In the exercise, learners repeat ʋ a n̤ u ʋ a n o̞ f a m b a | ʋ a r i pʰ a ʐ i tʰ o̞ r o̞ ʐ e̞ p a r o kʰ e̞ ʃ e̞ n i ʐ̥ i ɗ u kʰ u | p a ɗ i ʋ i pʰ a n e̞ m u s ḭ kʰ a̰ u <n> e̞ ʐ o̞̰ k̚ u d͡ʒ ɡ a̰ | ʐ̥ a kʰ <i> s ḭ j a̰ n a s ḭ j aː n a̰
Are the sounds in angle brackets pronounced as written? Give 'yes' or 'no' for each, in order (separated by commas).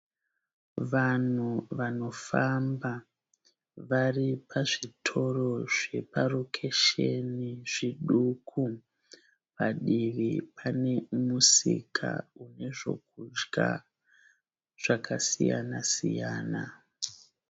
yes, no